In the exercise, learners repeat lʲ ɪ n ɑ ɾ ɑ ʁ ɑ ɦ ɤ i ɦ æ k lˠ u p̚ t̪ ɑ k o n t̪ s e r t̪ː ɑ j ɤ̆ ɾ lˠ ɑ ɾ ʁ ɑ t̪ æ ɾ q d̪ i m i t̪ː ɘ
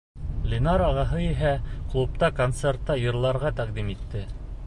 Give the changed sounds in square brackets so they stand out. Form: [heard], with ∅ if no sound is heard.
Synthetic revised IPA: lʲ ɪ n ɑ ɾ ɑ ʁ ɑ ɦ ɤ i ɦ æ k lˠ u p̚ t̪ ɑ k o n t̪ s e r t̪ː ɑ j ɤ̆ ɾ lˠ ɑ ɾ ʁ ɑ t̪ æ [∅] q d̪ i m i t̪ː ɘ